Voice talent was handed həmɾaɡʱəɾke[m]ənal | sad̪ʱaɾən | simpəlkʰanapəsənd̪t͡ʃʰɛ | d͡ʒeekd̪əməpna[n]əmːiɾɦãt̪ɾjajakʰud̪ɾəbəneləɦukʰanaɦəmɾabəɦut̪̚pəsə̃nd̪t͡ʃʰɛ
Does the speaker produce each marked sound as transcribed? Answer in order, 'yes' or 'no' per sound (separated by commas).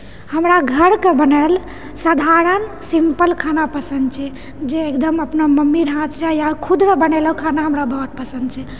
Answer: no, no